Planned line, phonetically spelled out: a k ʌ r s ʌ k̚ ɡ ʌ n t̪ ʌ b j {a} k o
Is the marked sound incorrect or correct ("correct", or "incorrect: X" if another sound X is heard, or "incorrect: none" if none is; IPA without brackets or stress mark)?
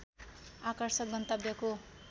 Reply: incorrect: ʌ